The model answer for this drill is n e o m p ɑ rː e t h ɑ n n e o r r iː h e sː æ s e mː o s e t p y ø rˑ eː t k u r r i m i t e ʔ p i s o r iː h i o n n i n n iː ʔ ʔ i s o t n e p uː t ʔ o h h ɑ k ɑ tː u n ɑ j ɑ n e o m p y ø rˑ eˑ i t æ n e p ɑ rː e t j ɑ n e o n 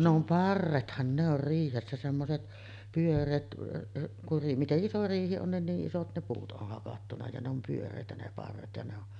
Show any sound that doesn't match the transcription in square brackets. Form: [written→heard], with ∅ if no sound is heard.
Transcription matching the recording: n e o m p ɑ rː e t h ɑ n n e o r r iː h e sː æ s e mː o s e t p y ø rˑ eː t k u r r i m i t e ʔ [p→ʔ] i s o r iː h i o n n i n n iː ʔ ʔ i s o t n e p uː t ʔ o h h ɑ k ɑ tː u n ɑ j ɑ n e o m p y ø rˑ eˑ i t æ n e p ɑ rː e t j ɑ n e o n